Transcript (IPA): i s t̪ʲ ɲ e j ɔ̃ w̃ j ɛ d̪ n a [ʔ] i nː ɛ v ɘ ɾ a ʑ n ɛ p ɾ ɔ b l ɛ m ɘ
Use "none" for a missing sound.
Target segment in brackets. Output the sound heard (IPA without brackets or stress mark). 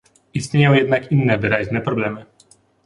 k